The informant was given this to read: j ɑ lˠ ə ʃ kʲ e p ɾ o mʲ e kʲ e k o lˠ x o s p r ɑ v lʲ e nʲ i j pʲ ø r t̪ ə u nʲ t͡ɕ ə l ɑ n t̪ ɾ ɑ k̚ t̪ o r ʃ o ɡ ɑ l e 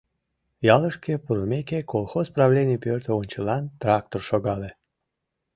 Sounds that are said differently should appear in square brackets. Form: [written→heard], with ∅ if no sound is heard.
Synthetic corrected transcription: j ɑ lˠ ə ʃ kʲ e p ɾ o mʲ e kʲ e k o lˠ x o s p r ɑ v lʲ e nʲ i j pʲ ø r t̪ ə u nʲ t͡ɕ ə l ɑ n t̪ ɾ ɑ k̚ t̪ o r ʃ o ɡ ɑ l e